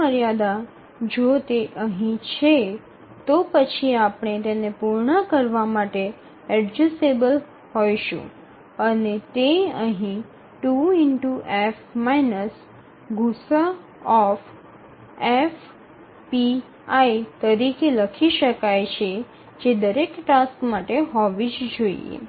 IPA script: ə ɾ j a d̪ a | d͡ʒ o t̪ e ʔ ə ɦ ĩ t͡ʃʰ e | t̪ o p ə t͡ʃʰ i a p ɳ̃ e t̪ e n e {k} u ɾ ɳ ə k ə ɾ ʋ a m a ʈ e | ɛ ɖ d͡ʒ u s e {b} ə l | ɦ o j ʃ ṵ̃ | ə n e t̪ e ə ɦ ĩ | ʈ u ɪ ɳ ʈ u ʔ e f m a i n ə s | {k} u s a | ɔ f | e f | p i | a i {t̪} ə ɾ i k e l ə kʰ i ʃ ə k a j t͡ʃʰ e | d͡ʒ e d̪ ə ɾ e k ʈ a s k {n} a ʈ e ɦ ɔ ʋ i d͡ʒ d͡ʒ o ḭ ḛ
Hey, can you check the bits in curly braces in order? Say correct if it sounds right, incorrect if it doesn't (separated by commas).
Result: incorrect, correct, incorrect, correct, incorrect